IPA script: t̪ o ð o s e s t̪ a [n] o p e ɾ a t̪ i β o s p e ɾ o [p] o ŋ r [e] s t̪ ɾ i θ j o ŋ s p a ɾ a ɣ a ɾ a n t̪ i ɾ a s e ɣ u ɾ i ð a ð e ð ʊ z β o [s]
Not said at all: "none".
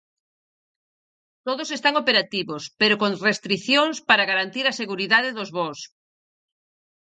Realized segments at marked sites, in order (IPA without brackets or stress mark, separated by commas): ŋ, k, e, s